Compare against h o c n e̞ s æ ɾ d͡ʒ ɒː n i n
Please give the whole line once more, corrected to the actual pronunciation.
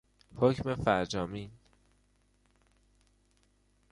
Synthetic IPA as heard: h o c m e̞ f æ ɾ d͡ʒ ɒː m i n